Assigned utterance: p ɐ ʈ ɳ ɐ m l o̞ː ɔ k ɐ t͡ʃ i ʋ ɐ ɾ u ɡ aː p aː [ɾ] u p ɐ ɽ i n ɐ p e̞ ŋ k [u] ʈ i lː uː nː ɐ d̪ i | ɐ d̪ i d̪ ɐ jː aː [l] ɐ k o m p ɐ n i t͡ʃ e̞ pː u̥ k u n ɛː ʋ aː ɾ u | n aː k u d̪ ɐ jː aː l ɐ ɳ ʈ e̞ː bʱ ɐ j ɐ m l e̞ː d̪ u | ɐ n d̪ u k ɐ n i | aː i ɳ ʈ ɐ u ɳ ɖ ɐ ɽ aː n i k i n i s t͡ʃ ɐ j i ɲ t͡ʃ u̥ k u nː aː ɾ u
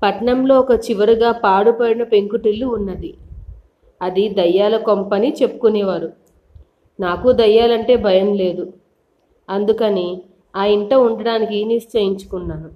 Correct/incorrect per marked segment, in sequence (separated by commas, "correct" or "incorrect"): incorrect, correct, correct